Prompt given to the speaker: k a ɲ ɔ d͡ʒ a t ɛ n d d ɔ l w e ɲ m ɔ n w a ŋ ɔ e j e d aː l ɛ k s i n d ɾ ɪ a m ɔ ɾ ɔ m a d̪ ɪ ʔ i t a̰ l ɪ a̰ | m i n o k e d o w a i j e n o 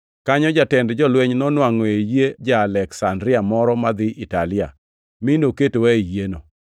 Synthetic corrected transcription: k a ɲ ɔ d͡ʒ a t ɛ n d d͡ʒ ɔ l w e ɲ n ɔ n w a ŋ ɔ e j e d͡ʒ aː l ɛ k s a n d ɾ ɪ a m ɔ ɾ ɔ m a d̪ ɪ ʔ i t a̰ l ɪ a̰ | m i n o k e t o w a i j e n o